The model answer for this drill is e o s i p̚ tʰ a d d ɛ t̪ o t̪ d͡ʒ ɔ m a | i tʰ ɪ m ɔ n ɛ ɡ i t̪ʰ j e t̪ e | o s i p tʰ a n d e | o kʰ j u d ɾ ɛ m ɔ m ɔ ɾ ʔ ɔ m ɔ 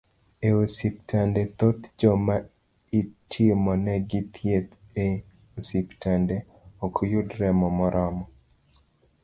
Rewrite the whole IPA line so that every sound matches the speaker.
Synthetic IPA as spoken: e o s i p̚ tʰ a n d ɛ t̪ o t̪ d͡ʒ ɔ m a | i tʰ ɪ m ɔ n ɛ ɡ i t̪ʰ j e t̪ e | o s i p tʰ a n d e | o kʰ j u d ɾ ɛ m ɔ m ɔ ɾ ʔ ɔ m ɔ